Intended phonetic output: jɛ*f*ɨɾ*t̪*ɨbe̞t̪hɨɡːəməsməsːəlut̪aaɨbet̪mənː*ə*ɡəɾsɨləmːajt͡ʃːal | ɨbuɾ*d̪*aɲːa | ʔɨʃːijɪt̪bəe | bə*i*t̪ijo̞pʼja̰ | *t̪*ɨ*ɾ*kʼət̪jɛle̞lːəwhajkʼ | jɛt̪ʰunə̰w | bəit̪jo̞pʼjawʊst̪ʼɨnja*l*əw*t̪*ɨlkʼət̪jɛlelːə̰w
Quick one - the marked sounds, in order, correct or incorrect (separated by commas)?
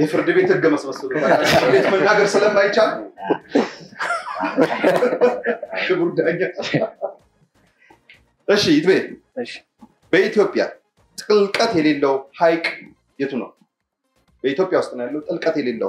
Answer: correct, incorrect, incorrect, correct, correct, incorrect, incorrect, incorrect, incorrect